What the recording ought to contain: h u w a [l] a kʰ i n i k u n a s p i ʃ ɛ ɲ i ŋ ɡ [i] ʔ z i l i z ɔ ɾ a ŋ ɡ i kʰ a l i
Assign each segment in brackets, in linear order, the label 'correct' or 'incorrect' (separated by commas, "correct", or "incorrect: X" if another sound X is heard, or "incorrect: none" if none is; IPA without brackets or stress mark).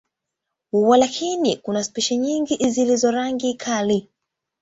correct, correct